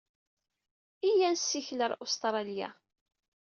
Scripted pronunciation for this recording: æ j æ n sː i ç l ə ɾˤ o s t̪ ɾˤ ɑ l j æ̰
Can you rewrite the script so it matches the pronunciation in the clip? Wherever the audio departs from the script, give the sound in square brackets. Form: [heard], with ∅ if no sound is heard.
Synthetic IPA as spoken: [i] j æ n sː i ç l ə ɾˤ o s t̪ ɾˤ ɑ l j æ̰